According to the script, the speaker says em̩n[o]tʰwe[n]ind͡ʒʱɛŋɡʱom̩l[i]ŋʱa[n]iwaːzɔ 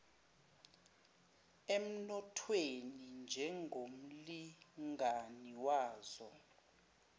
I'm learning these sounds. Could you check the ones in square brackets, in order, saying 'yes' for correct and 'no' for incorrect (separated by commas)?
no, yes, yes, yes